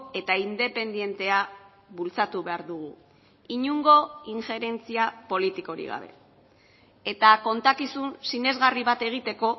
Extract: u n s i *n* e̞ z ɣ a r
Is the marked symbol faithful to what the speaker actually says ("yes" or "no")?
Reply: yes